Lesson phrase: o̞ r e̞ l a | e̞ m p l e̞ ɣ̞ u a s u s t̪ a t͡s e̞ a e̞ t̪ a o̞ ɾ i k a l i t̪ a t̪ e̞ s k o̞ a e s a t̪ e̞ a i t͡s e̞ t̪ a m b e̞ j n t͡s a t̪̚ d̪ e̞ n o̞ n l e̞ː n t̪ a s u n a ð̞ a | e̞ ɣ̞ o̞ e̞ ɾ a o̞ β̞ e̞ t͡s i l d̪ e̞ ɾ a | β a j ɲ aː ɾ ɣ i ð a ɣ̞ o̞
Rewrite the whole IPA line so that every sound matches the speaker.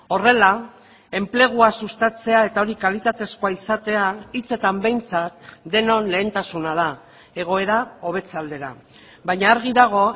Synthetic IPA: o̞ r e̞ l a | e̞ m p l e̞ ɣ̞ u a s u s t̪ a t͡s e̞ a e̞ t̪ a o̞ ɾ i k a l i t̪ a t̪ e̞ s k o̞ a i s a t̪ e̞ a i t͡s e̞ t̪ a m b e̞ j n t͡s a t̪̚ d̪ e̞ n o̞ n l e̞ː n t̪ a s u n a ð̞ a | e̞ ɣ̞ o̞ e̞ ɾ a o̞ β̞ e̞ t͡s a l d̪ e̞ ɾ a | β a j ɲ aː ɾ ɣ i ð a ɣ̞ o̞